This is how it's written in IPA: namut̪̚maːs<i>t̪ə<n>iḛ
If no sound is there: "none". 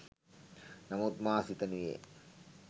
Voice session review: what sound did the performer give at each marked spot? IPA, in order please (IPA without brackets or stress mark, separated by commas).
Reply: i, n